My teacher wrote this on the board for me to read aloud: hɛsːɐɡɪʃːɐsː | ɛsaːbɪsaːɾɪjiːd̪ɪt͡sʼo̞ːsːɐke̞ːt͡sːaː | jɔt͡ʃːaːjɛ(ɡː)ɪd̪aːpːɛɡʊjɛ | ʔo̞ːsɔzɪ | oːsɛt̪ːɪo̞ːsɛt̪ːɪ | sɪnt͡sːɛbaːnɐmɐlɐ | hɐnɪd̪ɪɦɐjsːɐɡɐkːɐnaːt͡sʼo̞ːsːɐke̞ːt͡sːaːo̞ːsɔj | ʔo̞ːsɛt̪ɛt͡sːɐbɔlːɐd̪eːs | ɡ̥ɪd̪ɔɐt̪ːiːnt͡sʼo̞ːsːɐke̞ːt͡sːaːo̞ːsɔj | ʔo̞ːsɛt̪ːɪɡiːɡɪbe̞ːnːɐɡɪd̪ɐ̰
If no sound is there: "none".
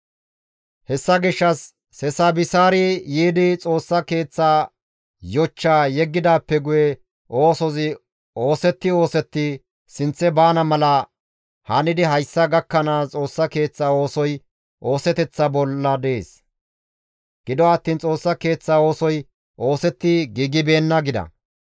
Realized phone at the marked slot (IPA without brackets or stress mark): ɡː